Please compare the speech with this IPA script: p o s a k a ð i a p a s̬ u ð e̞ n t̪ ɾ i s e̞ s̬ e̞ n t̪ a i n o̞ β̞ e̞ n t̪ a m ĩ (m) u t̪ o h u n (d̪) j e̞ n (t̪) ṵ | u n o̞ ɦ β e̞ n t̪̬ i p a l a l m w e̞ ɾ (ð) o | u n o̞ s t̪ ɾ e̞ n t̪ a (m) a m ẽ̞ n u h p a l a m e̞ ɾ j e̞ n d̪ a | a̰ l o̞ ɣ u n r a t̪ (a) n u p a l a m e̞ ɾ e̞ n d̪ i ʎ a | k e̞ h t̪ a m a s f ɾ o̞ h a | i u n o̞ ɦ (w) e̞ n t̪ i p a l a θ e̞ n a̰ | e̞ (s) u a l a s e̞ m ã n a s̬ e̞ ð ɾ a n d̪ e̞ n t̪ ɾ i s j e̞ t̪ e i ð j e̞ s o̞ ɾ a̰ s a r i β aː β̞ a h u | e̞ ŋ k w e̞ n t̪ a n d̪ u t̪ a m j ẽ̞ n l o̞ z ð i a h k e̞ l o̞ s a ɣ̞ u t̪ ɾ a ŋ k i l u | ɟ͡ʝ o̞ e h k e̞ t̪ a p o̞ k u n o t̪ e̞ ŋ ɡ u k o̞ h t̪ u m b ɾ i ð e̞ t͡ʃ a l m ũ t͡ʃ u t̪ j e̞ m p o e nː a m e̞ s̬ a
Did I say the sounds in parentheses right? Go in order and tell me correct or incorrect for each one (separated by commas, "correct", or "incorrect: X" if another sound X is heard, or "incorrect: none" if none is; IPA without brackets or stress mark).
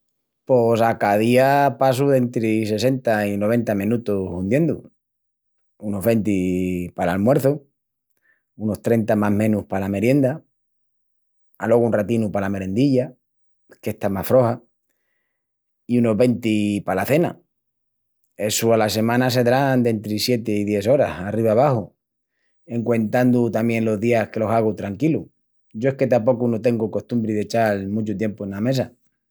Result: incorrect: n, correct, incorrect: d̪, incorrect: θ, correct, incorrect: i, incorrect: β, correct